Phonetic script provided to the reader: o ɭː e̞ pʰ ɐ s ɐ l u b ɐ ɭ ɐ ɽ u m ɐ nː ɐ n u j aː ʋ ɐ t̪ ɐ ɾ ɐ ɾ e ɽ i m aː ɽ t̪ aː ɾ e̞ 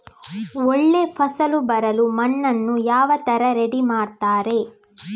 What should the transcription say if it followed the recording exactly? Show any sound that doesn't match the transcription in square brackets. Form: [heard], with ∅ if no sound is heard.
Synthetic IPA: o ɭː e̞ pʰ ɐ s ɐ l u b ɐ [ɾ] ɐ [l] u m ɐ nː ɐ [nː] u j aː ʋ ɐ t̪ ɐ ɾ ɐ ɾ e ɽ i m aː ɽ t̪ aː ɾ e̞